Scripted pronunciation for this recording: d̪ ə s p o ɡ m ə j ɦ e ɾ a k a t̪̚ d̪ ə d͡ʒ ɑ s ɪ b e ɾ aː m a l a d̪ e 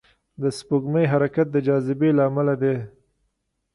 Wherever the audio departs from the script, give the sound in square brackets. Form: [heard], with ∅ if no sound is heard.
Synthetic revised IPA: d̪ ə s p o ɡ m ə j ɦ [a] ɾ a k a t̪̚ d̪ ə d͡ʒ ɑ [z] ɪ b e [l] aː m a l a d̪ e

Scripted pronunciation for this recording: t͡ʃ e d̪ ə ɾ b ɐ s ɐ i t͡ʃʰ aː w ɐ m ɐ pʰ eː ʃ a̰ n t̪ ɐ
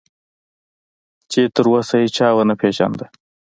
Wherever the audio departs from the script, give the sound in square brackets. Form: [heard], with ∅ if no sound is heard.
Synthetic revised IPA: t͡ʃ e [t̪] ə ɾ [w] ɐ s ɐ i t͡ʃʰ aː w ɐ [n] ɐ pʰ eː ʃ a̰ n [d̪] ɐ

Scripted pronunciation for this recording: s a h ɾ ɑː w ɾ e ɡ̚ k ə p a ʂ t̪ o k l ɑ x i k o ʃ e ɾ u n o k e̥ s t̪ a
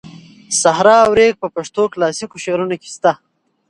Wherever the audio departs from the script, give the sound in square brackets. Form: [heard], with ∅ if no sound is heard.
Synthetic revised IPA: s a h ɾ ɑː w ɾ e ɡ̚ [p] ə p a ʂ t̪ o k l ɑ [s] i k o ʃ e ɾ u n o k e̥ s t̪ a

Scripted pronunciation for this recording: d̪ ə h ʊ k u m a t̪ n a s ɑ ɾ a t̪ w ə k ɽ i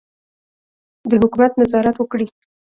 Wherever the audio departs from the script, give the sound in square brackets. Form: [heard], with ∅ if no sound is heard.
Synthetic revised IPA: d̪ ə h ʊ k u m a t̪ n a [z] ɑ ɾ a t̪ w ə k ɽ i

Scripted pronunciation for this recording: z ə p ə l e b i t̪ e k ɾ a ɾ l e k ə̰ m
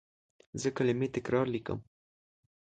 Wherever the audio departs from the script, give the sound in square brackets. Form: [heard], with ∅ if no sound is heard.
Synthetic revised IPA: z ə [k] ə l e [m] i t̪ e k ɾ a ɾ l [i] k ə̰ m

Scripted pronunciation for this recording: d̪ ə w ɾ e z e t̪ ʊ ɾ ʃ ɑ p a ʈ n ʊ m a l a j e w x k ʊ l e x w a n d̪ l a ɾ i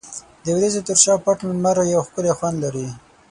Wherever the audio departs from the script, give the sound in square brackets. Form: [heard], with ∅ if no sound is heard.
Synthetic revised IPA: d̪ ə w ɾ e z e t̪ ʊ ɾ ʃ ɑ p a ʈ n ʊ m a [ɾ] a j [a] w x k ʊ l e x w a n d̪ l a ɾ i

